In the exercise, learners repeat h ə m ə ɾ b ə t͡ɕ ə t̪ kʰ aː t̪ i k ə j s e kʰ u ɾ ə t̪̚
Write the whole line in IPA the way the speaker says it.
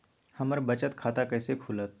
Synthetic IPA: h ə m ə ɾ b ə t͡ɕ ə t̪ kʰ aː t̪ a k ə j s e kʰ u l ə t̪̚